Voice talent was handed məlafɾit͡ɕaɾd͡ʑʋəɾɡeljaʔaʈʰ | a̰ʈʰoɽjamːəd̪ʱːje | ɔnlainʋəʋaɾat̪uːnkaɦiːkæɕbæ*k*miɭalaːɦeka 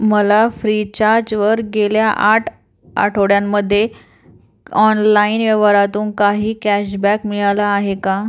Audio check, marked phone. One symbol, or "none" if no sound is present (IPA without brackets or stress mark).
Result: k